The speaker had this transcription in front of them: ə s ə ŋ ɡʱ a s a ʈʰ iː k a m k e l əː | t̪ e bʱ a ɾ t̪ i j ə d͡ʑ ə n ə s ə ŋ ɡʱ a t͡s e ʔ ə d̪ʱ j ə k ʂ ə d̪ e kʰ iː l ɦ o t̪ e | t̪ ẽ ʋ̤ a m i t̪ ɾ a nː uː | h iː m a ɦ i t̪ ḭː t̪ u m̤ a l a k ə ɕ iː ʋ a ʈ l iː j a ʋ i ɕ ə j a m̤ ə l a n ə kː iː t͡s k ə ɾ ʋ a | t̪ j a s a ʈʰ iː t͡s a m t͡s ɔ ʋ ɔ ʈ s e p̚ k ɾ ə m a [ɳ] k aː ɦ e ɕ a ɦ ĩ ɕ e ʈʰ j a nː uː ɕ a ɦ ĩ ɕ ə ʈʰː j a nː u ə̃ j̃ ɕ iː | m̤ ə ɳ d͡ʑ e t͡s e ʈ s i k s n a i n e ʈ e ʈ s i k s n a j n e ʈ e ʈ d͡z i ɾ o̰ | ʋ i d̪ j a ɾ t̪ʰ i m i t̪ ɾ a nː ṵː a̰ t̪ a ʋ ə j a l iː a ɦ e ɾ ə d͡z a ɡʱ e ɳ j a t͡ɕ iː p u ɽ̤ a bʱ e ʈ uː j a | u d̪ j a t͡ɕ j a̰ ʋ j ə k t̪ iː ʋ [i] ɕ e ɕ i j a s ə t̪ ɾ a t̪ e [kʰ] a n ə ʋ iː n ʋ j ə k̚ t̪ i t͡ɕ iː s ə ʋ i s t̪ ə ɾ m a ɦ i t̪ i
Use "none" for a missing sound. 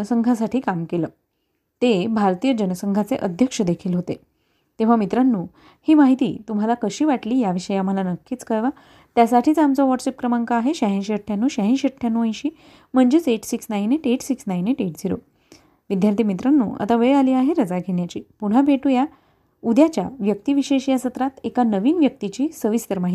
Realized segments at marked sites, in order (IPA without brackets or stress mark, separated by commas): ŋ, i, k